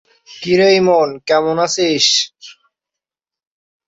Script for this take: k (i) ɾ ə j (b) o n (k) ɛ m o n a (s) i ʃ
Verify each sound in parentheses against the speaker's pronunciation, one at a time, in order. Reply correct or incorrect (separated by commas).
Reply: correct, incorrect, correct, correct